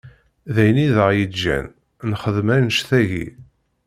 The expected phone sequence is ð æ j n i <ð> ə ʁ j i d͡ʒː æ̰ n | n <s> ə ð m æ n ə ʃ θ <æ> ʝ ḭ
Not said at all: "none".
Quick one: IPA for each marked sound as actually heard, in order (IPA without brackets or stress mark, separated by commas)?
ð, χ, æ